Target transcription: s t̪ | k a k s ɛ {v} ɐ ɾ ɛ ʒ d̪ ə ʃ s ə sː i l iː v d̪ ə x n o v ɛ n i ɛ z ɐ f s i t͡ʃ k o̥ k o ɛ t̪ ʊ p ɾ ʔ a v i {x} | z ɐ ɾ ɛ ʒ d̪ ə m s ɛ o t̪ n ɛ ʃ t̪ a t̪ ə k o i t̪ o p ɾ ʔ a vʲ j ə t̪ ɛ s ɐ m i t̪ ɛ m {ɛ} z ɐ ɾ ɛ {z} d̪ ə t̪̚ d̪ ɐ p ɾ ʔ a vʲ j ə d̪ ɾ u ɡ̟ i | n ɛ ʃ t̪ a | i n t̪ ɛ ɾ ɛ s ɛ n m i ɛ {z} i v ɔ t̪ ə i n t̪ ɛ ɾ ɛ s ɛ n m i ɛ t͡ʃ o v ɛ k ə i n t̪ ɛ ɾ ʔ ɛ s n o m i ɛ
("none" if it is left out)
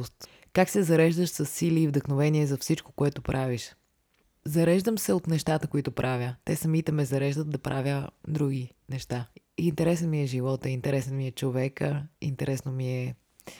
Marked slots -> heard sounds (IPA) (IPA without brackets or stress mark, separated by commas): z, ʃ, ɛ, ʒ, ʒ